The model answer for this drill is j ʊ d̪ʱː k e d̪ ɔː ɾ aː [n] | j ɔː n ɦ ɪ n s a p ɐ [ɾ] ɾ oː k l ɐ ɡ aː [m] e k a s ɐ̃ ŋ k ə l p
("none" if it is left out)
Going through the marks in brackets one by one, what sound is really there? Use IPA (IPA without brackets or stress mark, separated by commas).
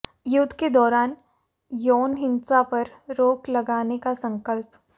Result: n, ɾ, n